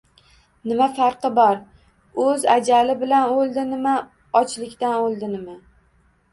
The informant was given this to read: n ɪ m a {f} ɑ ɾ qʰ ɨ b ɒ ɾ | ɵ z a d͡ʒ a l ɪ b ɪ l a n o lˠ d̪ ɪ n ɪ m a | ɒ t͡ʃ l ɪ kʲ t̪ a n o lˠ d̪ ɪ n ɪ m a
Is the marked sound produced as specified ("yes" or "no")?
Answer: yes